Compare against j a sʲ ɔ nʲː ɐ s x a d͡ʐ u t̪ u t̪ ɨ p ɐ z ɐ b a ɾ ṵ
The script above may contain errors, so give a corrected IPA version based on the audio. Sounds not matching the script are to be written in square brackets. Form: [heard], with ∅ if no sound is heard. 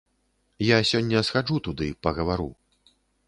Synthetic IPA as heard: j a sʲ ɔ nʲː ɐ s x a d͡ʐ u t̪ u [d̪] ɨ p ɐ [ɣ] ɐ [v] a ɾ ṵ